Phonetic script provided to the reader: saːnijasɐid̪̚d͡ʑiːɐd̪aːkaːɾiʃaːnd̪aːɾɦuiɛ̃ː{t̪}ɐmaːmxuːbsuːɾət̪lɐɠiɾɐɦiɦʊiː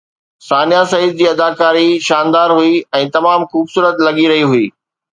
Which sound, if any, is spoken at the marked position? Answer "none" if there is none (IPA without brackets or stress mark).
t̪